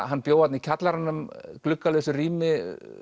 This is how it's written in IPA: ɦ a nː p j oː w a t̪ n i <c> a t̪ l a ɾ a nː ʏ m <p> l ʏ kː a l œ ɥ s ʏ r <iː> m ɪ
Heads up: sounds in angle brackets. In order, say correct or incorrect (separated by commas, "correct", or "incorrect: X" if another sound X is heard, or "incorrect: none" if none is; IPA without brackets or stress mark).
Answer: incorrect: cʰ, incorrect: k, correct